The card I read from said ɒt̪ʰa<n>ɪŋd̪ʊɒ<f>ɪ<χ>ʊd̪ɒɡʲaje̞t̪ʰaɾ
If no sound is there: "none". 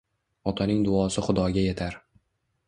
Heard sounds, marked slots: n, s, χ

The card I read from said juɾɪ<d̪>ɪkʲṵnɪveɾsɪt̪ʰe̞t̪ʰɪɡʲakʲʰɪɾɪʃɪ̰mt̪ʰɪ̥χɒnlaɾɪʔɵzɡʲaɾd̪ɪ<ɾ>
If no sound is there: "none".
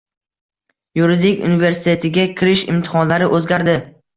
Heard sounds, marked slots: d̪, none

